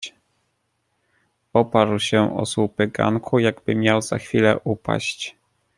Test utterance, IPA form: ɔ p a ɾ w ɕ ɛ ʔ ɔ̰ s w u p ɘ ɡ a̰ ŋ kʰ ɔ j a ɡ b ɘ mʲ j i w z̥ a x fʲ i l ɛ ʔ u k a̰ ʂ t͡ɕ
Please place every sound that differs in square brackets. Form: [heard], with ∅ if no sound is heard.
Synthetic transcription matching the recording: ɔ p a ɾ w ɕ ɛ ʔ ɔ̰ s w u p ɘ ɡ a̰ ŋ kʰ [u] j a ɡ b ɘ mʲ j [a] w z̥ a x fʲ i l ɛ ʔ u [p] a̰ [ɕ] t͡ɕ